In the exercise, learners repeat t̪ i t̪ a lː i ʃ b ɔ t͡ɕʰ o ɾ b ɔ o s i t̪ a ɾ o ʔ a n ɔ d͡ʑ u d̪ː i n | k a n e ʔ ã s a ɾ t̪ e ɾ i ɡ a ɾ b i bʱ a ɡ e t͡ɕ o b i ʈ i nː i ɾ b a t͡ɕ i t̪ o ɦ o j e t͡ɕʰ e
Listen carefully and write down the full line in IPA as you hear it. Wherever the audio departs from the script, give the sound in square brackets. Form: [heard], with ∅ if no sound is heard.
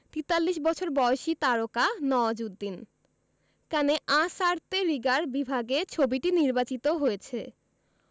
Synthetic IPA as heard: t̪ i t̪ a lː i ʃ b ɔ t͡ɕʰ o ɾ b ɔ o [ʃ] i t̪ a ɾ o [k] a n ɔ d͡ʑ u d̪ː i n | k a n e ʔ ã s a ɾ t̪ e ɾ i ɡ a ɾ b i bʱ a ɡ e [t͡ɕʰ] o b i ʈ i [n] i ɾ b a t͡ɕ i t̪ o ɦ o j e t͡ɕʰ e